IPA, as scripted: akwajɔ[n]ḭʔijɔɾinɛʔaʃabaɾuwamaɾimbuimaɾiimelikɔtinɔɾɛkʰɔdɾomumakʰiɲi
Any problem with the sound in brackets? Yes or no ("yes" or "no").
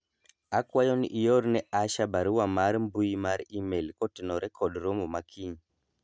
no